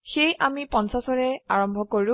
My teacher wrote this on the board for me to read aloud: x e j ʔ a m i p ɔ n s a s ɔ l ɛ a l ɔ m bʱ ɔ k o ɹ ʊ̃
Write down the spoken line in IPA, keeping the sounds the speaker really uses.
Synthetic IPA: x e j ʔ a m i p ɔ n s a s ɔ ɹ ɛ a ɹ ɔ m bʱ ɔ k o ɹ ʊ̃